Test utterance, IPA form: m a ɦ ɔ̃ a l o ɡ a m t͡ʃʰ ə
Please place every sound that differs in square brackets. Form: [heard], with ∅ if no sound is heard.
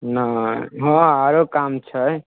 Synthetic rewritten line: [n] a ɦ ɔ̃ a [ɾ] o [k] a m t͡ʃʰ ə